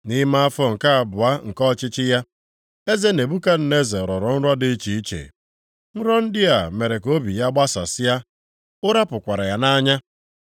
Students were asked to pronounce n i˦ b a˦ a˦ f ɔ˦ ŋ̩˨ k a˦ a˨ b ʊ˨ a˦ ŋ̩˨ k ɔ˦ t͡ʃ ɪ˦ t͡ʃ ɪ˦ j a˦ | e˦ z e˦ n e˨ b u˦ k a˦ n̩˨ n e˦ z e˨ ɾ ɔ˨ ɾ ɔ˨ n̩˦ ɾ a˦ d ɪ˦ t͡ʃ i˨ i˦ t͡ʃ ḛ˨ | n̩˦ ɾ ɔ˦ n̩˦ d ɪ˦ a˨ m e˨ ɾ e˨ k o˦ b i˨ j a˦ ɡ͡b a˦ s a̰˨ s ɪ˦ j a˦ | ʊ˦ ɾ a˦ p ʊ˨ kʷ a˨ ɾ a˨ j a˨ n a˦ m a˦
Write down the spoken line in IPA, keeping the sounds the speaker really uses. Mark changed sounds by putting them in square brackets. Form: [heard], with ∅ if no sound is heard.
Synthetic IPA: n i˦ [m] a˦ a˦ f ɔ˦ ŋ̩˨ k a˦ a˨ b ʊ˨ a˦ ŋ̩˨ k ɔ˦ t͡ʃ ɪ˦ t͡ʃ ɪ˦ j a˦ | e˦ z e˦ n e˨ b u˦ k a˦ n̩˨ n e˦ z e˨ ɾ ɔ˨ ɾ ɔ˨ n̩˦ ɾ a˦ d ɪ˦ t͡ʃ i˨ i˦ t͡ʃ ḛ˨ | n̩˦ ɾ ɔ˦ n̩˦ d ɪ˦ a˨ m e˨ ɾ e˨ k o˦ b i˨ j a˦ ɡ͡b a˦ s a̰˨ s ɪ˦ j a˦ | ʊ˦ ɾ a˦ p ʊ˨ kʷ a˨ ɾ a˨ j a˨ n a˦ [ɲ] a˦